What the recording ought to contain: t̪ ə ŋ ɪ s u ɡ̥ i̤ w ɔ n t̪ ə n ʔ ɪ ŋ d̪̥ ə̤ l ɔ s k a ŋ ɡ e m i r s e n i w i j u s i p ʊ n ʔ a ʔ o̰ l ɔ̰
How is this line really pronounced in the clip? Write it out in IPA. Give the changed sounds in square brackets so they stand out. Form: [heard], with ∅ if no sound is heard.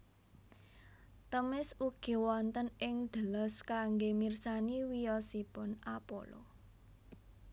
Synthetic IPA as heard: t̪ ə [m] ɪ s u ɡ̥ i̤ w ɔ n t̪ ə n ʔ ɪ ŋ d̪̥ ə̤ l ɔ s k a ŋ ɡ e m i r s [a] n i w i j [ɔ] s i p ʊ n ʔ a [p] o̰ l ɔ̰